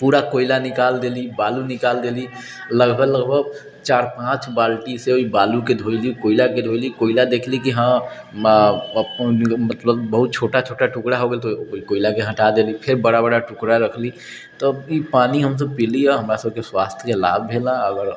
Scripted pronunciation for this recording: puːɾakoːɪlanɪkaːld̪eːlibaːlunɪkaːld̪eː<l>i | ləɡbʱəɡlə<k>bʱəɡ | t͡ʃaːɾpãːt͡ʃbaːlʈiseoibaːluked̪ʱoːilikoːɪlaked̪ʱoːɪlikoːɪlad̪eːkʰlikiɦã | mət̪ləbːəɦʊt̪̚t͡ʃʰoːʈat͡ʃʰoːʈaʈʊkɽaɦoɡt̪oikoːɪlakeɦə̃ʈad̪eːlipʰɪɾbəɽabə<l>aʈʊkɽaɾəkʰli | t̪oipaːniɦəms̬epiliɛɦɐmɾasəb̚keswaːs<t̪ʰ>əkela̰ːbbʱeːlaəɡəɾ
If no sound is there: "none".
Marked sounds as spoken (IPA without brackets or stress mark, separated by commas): l, ɡ, ɽ, t̪ʰ